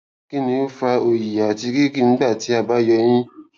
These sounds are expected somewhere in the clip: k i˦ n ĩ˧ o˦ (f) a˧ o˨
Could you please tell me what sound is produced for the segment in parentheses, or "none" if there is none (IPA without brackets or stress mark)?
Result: f